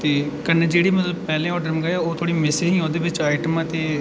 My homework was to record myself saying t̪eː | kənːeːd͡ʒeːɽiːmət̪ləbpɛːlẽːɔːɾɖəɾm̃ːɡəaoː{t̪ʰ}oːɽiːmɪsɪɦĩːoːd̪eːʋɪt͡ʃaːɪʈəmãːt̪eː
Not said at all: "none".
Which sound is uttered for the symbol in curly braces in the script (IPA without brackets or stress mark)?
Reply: t̪ʰ